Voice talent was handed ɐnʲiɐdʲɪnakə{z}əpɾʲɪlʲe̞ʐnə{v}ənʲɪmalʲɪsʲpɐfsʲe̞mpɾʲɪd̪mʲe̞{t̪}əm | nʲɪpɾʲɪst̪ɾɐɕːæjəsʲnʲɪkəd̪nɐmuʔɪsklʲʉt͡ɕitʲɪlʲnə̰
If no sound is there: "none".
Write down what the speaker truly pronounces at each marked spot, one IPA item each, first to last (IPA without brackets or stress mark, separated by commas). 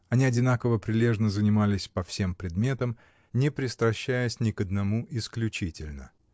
v, z, t̪